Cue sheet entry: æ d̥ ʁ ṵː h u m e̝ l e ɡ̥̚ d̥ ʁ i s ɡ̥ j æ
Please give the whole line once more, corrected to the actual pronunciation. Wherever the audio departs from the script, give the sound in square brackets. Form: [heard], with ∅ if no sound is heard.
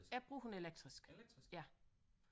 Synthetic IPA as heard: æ [b̥] ʁ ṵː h u [n] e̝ l e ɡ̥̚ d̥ ʁ i s ɡ̥ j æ